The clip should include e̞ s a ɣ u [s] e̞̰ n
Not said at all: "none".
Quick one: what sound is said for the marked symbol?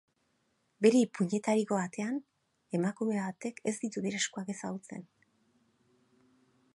t͡s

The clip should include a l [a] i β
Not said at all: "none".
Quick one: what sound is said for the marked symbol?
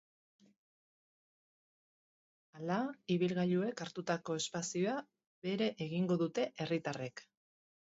a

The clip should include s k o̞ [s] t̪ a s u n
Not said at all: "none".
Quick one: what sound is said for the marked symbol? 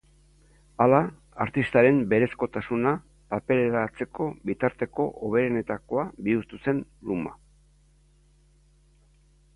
none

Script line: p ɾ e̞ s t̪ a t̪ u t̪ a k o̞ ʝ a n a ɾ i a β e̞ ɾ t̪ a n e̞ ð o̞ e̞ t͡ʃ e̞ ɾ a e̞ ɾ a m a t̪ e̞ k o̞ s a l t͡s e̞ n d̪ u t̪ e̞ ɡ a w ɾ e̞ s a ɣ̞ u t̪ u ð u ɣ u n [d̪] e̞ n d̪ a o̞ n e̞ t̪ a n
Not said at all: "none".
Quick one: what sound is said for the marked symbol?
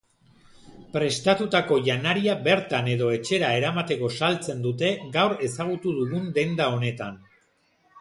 d̪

